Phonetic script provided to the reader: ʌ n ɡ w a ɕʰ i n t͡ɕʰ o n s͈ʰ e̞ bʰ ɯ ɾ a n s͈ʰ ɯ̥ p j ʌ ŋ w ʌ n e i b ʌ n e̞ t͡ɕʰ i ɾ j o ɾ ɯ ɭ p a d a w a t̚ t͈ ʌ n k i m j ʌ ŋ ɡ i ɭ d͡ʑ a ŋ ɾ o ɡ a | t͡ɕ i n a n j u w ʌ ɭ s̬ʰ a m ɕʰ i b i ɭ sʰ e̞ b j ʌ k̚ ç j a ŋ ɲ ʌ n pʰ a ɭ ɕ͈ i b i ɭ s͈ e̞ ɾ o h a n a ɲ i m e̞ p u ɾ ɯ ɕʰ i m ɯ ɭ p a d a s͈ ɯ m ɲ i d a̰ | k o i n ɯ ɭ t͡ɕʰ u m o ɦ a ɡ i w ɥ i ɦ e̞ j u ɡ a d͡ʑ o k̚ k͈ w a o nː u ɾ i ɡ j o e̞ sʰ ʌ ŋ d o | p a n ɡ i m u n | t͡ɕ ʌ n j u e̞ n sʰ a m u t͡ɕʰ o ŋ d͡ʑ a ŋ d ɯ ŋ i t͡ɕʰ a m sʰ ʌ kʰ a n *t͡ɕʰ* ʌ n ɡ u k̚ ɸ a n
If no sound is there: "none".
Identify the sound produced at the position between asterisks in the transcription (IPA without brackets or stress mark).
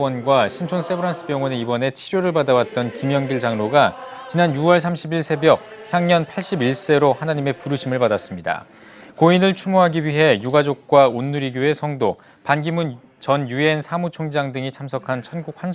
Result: t͡ɕʰ